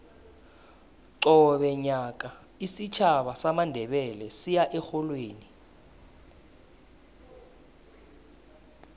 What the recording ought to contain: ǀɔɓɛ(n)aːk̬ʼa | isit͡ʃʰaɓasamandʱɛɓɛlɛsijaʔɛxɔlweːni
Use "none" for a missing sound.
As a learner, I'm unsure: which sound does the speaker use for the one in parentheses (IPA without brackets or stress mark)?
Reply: ɲ